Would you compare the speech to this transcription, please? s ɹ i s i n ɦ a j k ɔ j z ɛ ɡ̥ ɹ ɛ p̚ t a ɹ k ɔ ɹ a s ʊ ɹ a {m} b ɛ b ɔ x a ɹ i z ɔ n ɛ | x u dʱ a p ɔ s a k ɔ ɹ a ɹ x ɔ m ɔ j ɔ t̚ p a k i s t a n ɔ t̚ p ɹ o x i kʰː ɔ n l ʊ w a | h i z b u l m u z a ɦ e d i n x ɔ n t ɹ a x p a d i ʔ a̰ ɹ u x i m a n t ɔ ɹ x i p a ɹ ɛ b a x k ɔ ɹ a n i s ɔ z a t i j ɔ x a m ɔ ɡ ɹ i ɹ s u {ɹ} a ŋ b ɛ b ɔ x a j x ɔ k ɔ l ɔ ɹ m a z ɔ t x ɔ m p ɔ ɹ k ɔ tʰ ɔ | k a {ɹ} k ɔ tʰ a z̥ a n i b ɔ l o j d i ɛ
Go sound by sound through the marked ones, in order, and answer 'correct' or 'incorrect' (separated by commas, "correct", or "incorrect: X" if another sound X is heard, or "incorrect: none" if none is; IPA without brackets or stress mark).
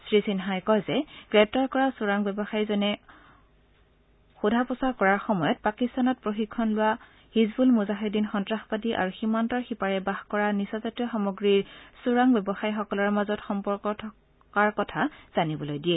incorrect: ŋ, correct, correct